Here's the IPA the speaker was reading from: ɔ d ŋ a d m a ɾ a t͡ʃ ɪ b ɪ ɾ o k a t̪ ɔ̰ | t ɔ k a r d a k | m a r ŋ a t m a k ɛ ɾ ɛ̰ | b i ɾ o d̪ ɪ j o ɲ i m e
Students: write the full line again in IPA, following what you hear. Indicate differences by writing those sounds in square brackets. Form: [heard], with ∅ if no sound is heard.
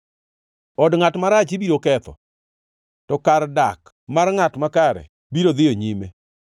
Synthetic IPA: ɔ d ŋ a [t] m a ɾ a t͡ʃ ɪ b [i] ɾ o k [ɛ] t̪ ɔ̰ | t ɔ k a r d a k | m a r ŋ a t m a k [a] ɾ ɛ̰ | b i ɾ o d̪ ɪ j o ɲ i m e